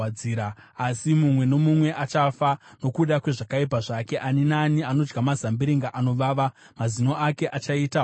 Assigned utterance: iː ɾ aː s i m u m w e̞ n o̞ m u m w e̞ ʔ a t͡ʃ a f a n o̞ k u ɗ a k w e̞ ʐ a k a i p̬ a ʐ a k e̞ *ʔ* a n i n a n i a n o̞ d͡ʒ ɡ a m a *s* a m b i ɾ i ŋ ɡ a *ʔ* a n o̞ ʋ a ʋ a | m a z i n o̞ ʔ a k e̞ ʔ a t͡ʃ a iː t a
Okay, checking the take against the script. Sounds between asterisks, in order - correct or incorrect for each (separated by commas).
correct, incorrect, correct